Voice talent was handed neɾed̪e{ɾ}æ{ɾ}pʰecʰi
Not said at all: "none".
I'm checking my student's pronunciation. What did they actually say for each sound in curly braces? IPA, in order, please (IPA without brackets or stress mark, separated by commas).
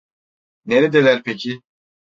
l, ɾ